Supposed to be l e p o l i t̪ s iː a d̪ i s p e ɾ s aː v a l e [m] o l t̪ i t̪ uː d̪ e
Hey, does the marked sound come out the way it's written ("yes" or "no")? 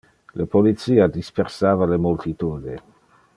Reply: yes